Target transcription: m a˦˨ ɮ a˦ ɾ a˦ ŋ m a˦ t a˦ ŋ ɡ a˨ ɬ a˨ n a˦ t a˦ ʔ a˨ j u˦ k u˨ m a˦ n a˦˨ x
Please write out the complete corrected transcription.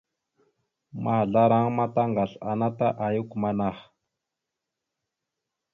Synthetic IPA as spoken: m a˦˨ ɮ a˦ ɾ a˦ ŋ m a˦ t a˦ ŋ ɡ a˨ ɬ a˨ n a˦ t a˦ ʔ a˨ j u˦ k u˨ m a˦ n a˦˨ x